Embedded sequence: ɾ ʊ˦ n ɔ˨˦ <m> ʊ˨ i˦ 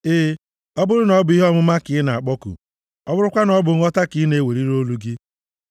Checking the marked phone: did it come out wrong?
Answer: yes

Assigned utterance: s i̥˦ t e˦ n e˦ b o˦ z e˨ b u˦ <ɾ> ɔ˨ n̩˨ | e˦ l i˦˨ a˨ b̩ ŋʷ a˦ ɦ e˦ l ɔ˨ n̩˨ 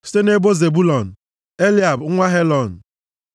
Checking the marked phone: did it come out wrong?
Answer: yes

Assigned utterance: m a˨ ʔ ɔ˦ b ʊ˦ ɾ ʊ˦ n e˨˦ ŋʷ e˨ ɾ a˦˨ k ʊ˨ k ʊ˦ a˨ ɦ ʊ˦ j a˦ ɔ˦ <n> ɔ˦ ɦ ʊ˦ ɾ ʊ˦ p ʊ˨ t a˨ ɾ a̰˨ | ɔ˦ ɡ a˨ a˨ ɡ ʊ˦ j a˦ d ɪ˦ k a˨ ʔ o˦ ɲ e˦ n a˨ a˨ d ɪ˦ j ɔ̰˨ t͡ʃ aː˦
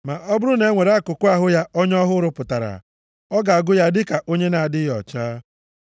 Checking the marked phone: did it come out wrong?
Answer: yes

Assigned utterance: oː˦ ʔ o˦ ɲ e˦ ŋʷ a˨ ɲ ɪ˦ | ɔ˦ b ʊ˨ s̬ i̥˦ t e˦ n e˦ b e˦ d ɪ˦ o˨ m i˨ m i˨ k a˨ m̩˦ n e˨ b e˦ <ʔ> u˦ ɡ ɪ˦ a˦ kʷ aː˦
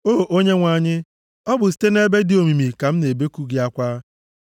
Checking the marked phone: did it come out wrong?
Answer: yes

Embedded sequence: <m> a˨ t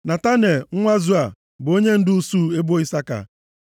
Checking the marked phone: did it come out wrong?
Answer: yes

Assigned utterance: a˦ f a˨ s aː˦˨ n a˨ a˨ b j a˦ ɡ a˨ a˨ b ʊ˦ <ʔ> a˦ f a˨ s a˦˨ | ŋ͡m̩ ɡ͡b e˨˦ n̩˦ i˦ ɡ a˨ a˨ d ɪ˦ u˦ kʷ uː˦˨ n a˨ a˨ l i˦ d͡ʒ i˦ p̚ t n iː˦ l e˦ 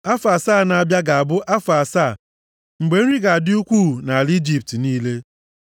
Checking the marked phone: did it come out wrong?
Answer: no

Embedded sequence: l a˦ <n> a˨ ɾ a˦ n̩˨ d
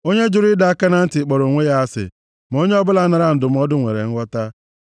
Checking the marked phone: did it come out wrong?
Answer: no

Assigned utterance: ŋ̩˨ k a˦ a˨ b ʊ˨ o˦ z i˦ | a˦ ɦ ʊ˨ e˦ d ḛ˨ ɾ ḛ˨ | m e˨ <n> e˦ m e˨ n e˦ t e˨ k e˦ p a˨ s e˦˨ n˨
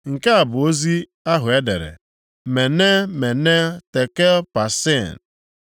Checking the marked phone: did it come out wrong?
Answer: no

